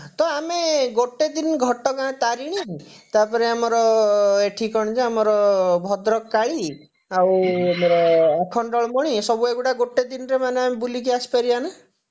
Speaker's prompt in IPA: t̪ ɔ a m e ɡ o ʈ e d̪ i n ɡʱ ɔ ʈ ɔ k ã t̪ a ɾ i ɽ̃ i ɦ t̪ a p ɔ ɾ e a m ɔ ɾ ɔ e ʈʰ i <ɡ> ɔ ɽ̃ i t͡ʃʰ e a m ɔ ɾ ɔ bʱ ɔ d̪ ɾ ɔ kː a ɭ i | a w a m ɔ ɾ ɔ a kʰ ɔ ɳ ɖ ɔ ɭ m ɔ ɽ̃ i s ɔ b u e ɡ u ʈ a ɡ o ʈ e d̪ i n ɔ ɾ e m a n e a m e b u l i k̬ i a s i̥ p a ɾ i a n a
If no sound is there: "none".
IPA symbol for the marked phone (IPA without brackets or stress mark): k